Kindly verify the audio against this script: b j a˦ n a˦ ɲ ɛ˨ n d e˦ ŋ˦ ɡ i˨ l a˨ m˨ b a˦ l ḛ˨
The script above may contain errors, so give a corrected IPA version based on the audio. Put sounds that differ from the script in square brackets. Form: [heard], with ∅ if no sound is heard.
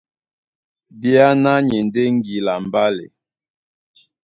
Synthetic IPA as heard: b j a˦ n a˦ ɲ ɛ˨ n d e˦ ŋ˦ ɡ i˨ l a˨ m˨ b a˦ l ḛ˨